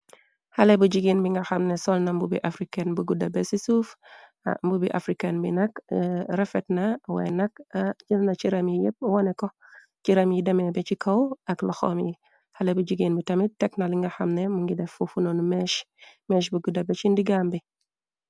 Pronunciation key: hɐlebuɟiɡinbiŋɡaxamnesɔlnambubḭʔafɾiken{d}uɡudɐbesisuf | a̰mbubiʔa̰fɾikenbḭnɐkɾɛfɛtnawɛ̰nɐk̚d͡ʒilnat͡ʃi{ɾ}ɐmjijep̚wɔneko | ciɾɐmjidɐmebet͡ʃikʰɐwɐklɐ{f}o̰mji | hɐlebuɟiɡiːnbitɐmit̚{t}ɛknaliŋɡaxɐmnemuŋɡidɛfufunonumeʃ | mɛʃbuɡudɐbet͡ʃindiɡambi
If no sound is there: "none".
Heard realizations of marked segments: b, ɾ, x, t

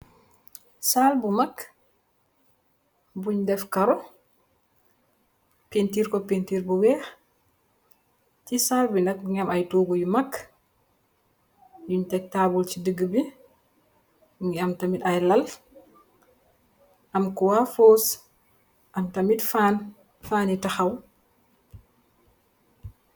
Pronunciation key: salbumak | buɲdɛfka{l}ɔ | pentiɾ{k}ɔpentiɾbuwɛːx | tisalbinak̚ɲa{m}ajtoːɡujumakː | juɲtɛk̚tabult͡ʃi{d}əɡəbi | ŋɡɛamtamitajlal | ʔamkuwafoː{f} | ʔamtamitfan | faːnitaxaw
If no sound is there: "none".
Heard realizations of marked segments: ɾ, k, m, d, s

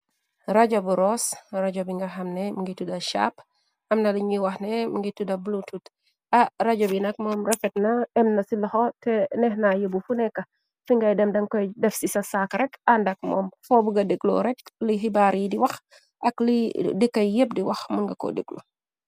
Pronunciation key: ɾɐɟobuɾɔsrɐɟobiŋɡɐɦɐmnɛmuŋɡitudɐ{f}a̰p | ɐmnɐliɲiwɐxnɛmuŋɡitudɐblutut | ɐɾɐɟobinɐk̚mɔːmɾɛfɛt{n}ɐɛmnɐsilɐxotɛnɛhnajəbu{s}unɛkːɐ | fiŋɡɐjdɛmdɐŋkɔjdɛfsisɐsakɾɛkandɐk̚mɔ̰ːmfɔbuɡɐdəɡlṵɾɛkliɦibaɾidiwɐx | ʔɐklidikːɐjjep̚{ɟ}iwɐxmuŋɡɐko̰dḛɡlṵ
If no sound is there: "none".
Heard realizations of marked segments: ʃ, n, f, d

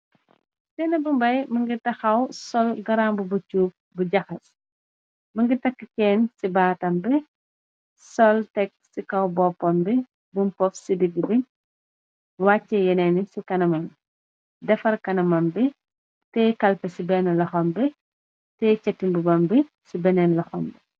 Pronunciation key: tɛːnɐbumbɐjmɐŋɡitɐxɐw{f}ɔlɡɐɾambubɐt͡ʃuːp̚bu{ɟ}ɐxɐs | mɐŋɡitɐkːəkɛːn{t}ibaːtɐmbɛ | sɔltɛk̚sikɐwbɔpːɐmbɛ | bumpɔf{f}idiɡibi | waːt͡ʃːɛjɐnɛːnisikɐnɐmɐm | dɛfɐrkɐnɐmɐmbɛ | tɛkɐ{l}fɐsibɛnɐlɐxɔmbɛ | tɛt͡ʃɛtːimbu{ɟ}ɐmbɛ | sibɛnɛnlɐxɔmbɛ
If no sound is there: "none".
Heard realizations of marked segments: s, ɟ, s, s, l, b

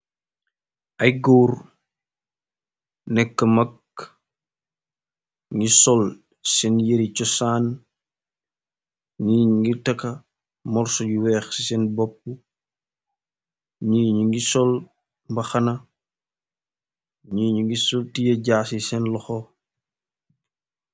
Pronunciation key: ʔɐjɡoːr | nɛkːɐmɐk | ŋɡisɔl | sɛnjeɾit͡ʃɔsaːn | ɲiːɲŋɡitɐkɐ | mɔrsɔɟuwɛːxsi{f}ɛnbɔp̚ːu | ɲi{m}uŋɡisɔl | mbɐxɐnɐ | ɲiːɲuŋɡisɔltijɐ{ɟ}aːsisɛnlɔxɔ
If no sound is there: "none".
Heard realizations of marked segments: s, ɲ, ɟ

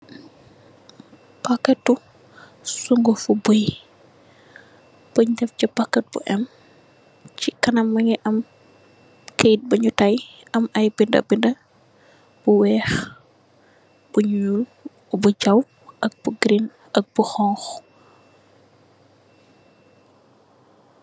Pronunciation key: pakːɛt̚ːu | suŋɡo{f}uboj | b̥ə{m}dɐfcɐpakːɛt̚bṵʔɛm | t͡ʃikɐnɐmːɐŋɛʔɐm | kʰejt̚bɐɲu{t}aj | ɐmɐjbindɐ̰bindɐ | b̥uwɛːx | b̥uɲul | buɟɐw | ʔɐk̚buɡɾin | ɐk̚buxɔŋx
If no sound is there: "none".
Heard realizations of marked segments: f, ɲ, t

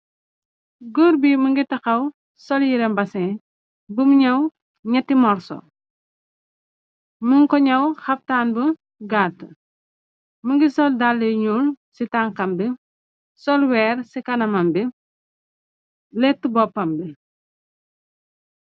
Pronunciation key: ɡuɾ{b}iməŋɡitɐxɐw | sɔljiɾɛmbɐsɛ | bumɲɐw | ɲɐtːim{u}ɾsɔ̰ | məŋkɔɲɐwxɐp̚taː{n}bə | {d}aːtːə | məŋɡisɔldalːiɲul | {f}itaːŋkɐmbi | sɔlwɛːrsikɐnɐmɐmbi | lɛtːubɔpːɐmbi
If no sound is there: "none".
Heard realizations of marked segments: b, ɔ, n, ɡ, s

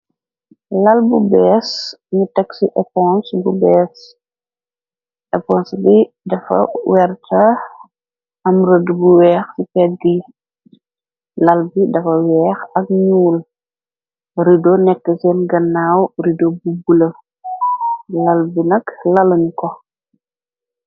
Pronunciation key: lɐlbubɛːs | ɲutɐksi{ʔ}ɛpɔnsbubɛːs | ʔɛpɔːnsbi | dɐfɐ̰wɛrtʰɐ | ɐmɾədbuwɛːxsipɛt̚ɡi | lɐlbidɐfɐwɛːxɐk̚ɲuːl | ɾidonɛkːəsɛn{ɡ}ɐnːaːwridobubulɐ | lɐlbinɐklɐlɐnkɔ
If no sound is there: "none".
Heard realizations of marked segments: ʔ, ɡ

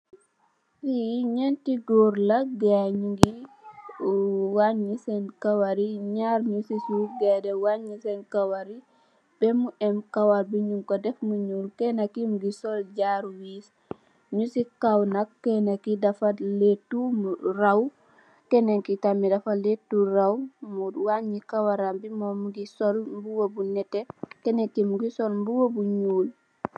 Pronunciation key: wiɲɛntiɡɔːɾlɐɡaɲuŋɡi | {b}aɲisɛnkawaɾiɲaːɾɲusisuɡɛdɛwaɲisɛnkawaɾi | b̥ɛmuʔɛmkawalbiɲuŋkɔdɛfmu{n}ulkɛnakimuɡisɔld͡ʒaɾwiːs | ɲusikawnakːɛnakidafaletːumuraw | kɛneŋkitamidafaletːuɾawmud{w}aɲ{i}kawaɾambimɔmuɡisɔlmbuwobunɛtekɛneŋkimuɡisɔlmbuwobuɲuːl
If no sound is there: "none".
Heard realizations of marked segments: w, ɲ, w, i

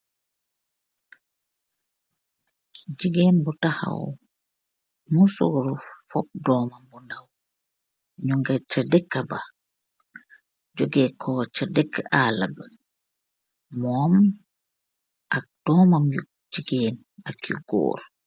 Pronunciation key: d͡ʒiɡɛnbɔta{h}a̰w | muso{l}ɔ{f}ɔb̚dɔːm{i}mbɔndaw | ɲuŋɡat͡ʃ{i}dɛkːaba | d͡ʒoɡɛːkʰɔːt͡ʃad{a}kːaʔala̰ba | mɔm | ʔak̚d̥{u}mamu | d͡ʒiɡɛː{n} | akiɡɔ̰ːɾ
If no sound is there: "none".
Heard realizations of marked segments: h, ɾ, f, a, a, ɛ, ɔ, n

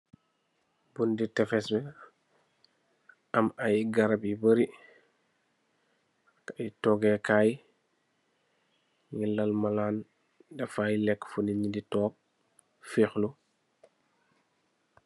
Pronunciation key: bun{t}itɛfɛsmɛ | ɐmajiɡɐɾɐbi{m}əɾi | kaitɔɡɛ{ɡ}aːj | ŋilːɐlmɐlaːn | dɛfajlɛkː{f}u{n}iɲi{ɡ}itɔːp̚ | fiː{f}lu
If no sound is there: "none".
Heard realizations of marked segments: d, b, k, f, n, d, x

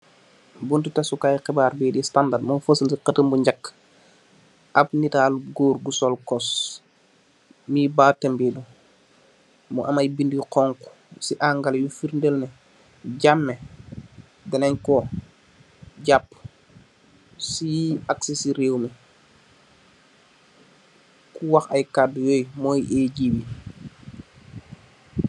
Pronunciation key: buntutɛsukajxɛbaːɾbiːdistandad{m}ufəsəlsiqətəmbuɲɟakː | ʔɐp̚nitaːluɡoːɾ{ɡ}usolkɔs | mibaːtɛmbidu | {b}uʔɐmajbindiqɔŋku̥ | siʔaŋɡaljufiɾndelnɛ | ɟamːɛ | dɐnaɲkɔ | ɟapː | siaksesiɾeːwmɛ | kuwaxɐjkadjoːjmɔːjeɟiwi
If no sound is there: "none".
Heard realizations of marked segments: m, ɡ, m

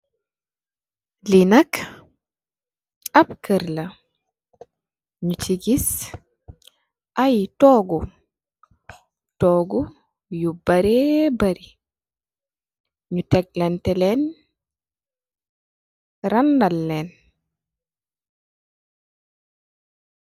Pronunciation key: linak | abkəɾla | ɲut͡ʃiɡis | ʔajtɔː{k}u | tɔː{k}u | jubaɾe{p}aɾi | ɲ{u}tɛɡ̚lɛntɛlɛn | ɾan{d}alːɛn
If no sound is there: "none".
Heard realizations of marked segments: ɡ, ɡ, b, u, d

